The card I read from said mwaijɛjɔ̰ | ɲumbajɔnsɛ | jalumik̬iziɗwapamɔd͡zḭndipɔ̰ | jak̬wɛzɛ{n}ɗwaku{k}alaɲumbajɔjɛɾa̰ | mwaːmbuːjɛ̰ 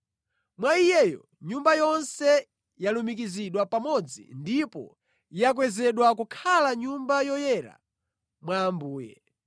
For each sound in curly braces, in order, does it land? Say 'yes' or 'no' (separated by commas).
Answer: no, no